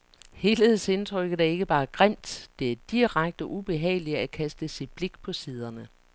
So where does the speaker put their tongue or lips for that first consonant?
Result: throat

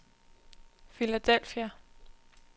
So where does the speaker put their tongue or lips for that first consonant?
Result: lips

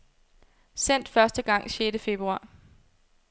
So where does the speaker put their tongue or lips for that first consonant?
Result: tongue tip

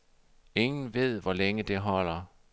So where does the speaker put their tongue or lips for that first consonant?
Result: velum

